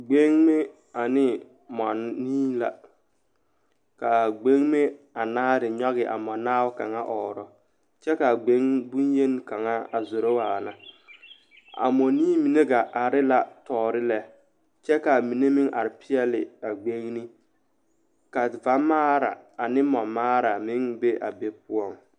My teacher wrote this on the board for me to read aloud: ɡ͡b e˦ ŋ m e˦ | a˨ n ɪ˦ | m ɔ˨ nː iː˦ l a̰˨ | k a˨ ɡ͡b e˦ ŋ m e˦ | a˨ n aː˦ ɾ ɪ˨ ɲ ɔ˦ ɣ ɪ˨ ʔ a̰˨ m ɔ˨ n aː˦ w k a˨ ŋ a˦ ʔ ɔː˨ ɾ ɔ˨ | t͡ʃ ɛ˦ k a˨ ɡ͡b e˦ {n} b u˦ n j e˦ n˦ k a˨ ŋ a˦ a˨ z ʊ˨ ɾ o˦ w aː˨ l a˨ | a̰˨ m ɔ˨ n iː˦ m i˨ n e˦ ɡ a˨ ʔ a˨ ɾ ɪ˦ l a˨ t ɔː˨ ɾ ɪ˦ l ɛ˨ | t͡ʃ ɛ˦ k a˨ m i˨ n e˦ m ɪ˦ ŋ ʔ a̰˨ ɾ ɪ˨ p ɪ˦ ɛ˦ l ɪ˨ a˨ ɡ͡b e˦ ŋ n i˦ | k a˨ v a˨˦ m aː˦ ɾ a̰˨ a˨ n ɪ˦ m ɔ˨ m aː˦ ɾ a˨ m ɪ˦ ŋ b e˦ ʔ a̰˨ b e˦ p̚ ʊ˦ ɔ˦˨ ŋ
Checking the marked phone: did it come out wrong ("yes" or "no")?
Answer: yes